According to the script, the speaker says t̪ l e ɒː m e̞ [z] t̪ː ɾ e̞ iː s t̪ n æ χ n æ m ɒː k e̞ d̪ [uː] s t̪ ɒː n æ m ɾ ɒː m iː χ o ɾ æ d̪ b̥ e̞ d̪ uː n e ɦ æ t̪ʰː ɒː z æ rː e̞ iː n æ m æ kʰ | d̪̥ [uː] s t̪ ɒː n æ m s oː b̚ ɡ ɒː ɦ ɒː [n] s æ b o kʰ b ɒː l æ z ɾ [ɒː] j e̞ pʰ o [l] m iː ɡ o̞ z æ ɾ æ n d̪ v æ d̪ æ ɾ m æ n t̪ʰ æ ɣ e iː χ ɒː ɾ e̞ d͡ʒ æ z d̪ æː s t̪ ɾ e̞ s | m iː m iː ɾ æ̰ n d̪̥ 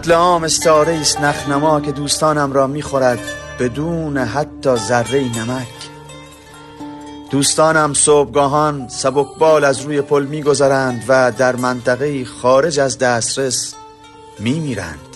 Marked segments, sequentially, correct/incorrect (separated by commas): incorrect, correct, correct, correct, incorrect, correct